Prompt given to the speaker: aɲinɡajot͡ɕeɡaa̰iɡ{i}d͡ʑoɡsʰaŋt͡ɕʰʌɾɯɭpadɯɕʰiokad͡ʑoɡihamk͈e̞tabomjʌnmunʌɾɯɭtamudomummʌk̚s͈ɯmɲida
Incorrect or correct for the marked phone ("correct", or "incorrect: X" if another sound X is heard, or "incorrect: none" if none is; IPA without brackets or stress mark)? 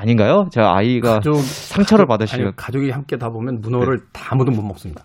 incorrect: a